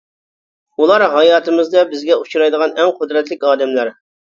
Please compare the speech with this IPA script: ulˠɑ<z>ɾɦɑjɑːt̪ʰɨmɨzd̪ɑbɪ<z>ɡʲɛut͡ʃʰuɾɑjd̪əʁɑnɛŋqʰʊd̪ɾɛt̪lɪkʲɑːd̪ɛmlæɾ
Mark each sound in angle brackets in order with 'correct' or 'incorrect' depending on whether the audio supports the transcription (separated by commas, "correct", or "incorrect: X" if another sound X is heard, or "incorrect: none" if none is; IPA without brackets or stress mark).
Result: incorrect: none, correct